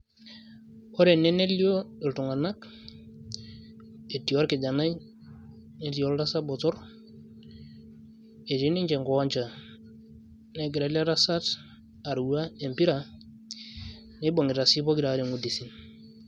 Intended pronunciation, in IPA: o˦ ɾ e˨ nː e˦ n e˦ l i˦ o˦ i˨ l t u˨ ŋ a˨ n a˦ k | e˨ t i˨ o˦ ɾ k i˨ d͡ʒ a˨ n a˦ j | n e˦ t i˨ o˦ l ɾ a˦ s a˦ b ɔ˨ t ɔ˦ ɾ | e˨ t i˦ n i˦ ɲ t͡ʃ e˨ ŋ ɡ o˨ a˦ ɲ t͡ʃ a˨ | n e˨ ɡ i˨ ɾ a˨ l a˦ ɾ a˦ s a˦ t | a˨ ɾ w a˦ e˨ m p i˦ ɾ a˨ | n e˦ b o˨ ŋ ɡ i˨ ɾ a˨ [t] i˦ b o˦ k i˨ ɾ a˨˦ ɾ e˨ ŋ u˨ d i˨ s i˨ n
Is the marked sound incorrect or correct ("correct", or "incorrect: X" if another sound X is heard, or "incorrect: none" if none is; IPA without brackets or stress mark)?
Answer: incorrect: s